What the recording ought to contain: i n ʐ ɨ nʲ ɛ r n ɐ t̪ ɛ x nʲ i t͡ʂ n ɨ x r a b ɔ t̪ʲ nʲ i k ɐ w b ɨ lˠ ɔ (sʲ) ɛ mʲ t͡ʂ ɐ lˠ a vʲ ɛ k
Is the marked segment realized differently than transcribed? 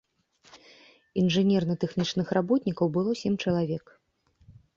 no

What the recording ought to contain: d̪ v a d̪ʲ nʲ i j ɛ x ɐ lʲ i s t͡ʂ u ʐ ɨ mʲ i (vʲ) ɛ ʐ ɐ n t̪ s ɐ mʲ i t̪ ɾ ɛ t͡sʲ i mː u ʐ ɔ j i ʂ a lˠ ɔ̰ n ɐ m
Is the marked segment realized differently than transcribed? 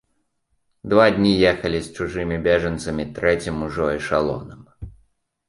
yes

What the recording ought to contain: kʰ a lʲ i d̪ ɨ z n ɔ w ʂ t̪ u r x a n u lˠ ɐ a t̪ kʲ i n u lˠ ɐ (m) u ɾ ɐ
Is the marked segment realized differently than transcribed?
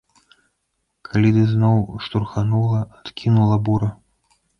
yes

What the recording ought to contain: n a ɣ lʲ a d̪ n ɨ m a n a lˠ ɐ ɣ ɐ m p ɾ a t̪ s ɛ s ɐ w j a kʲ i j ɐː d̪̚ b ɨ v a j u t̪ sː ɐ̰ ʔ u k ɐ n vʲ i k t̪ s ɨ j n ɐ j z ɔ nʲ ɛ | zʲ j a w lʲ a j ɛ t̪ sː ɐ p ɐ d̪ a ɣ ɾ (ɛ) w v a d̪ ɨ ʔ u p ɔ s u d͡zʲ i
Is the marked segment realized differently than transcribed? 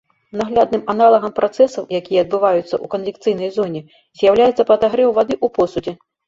no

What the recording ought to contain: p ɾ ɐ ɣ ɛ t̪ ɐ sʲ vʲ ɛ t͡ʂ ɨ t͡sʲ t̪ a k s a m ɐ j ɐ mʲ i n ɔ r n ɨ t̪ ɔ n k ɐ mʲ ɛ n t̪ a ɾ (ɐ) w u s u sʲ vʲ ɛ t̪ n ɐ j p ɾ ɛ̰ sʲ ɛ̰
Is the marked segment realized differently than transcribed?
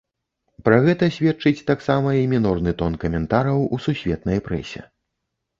no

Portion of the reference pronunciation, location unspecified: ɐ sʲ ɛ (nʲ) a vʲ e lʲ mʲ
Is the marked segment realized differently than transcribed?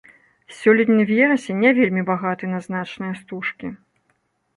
no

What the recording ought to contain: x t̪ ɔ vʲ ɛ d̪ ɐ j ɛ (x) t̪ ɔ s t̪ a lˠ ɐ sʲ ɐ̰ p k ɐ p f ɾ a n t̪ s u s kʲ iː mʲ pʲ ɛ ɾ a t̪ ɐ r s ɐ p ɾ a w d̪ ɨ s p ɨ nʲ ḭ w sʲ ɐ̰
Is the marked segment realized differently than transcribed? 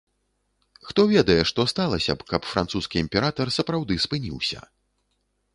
yes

